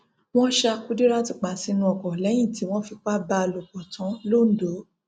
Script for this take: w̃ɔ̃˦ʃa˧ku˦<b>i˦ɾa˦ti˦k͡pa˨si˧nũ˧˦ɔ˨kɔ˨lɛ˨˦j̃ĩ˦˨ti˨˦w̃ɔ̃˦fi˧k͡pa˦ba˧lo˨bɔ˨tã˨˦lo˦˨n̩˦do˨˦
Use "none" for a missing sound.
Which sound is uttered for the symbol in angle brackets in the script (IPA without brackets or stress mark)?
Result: d